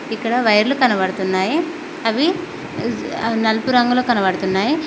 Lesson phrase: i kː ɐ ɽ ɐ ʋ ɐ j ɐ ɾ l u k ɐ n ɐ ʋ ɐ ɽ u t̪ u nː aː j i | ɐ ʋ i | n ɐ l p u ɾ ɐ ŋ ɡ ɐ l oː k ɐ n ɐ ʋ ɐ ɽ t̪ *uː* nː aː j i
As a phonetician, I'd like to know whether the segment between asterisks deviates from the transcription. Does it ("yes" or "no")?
yes